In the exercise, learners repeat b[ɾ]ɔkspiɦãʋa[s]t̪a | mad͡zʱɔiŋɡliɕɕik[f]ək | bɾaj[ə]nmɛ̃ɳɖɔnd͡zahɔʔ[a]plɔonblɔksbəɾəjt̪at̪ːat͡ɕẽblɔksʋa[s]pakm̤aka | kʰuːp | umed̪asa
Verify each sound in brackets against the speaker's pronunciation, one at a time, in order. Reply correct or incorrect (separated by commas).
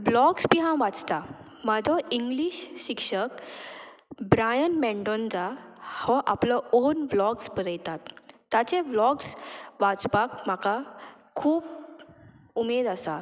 incorrect, incorrect, incorrect, correct, correct, incorrect